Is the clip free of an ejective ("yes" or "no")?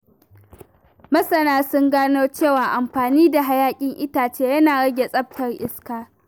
no